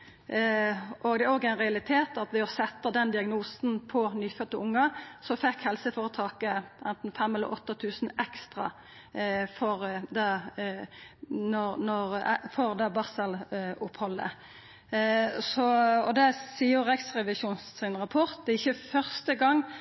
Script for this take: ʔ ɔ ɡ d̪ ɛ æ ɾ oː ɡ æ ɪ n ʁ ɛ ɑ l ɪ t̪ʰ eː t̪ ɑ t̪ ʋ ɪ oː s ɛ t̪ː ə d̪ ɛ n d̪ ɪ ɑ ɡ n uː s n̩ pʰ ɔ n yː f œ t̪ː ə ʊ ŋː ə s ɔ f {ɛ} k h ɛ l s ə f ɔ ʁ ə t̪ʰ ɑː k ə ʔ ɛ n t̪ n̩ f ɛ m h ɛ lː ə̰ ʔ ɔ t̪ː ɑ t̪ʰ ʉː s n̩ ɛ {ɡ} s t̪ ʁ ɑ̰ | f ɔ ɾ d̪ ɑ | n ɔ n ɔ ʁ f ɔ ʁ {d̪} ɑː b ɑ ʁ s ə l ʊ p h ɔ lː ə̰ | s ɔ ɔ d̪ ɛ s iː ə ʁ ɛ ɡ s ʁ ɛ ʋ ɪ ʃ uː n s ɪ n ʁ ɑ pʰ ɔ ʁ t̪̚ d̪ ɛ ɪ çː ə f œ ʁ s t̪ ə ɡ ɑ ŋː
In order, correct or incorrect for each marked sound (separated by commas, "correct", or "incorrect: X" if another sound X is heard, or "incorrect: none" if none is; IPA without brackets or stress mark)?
correct, incorrect: k, correct